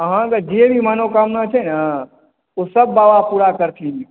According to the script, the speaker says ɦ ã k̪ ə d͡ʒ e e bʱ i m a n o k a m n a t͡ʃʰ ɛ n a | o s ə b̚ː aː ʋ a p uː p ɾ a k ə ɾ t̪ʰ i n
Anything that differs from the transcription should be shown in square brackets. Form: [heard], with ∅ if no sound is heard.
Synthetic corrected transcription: ɦ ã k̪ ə d͡ʒ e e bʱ i m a n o k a m n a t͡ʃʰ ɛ n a | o s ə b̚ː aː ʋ a p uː [∅] ɾ a k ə ɾ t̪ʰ i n